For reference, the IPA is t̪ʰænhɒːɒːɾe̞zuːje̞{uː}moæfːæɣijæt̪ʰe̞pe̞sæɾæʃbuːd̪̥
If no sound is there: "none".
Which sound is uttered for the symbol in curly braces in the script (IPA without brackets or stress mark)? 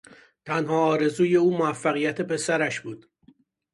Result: uː